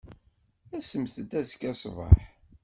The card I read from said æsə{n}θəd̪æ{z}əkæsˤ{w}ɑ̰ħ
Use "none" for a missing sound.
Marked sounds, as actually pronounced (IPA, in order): m, z, v

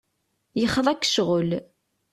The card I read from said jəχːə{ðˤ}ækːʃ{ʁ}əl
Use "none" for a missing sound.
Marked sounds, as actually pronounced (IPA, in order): ðˤ, ʁ

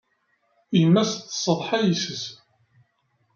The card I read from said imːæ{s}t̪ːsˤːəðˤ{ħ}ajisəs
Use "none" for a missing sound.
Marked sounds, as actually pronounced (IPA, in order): s, ħ

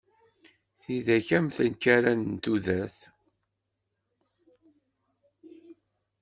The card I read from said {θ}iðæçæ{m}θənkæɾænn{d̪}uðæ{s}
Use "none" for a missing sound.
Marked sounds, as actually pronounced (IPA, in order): θ, m, t̪, θ

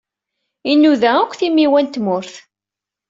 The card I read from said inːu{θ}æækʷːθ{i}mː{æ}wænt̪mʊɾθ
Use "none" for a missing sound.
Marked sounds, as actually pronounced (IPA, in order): ð, i, i

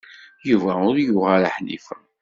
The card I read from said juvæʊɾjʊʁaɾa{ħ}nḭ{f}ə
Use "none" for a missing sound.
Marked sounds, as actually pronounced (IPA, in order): ħ, f

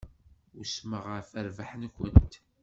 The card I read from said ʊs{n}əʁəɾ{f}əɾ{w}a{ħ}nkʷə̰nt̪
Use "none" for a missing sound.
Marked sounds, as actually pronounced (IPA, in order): m, f, v, ħ

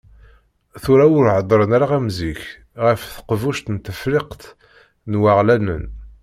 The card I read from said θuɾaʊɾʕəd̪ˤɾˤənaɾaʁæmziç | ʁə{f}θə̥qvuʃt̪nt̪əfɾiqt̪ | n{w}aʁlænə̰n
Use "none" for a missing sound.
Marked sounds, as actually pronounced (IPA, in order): f, w

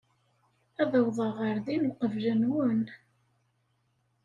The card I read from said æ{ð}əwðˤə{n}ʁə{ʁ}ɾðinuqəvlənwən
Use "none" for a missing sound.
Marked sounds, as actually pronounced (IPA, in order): ð, none, none

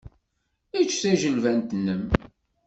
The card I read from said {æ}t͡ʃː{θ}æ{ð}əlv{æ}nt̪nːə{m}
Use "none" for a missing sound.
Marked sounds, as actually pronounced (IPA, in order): i, θ, ʒ, æ, m

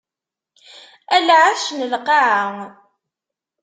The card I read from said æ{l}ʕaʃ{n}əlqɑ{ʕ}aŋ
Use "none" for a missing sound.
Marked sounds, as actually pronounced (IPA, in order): l, n, ʕ

